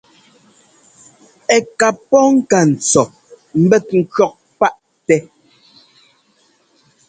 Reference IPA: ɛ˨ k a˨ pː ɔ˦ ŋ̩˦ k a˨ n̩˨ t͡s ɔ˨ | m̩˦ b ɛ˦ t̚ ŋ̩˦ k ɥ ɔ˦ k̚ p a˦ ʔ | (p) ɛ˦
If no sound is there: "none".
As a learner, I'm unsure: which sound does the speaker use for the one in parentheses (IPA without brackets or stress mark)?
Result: t